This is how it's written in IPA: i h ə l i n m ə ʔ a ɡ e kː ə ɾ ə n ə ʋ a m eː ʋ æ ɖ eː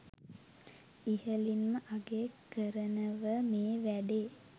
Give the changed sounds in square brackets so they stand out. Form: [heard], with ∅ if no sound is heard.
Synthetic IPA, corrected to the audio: i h ə l i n m ə ʔ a ɡ e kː ə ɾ ə n ə ʋ [ə] m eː ʋ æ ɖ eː